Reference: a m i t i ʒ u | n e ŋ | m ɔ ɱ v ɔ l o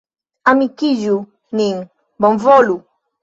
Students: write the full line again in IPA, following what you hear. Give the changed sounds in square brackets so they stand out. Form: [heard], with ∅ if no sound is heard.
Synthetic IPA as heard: a m i [k] i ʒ u | n [i] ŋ | [b] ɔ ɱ v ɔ l [u]